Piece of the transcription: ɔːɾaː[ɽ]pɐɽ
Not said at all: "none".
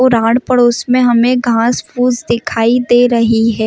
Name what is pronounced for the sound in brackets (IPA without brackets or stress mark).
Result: ɽ